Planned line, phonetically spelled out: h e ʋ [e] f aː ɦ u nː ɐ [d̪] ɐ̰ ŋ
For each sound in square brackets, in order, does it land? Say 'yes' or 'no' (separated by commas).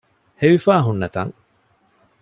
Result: no, no